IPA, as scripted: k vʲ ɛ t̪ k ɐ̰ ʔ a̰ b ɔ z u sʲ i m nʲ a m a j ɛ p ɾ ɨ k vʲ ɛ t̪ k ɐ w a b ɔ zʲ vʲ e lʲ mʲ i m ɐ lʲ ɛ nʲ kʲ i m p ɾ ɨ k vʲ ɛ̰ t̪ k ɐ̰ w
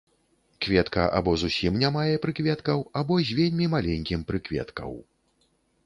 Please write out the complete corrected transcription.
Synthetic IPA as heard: k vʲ ɛ t̪ k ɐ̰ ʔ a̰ b ɔ z u sʲ i m nʲ a m a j ɛ p ɾ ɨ k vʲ ɛ t̪ k ɐ w a b ɔ zʲ vʲ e lʲ mʲ i m a lʲ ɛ nʲ kʲ i m p ɾ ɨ k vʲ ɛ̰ t̪ k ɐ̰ w